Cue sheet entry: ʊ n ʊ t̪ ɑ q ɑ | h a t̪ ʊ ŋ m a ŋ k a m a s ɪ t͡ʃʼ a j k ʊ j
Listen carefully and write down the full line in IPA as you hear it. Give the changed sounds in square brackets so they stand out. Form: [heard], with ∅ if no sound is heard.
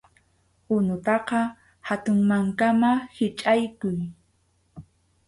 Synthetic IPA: ʊ n ʊ t̪ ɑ q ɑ | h a t̪ ʊ ŋ m a ŋ k a m a [h] ɪ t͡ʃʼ a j k ʊ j